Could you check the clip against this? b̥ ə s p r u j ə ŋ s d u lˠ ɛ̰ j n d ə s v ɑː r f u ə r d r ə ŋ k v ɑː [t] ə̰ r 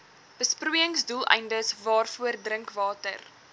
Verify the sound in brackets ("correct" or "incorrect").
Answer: correct